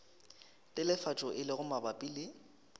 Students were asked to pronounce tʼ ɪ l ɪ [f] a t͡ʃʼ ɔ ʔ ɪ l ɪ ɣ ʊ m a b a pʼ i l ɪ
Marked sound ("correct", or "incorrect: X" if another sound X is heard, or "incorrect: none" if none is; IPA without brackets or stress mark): correct